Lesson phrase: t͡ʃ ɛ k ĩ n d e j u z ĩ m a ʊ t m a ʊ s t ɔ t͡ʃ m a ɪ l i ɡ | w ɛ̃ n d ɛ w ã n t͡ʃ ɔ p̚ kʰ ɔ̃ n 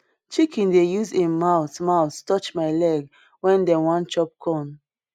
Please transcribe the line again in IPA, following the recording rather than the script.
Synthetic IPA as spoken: t͡ʃ i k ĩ n d e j u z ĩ m a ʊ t m a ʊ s t ɔ t͡ʃ m a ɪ l ɛ ɡ | w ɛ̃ n d ɛ w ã n t͡ʃ ɔ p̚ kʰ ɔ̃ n